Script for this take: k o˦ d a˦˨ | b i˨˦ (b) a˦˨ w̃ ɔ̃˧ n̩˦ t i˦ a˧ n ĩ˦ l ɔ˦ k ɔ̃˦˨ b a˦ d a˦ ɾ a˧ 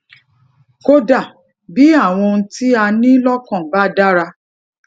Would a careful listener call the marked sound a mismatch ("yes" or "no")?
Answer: yes